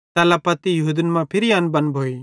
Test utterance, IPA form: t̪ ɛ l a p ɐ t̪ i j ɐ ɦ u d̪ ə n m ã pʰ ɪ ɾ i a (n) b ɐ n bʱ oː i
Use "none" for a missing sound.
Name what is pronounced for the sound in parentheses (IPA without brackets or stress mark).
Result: n